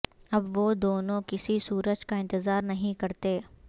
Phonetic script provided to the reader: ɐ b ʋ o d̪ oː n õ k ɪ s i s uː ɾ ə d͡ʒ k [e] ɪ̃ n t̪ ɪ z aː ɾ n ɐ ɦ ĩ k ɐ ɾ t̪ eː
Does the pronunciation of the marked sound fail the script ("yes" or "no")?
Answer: yes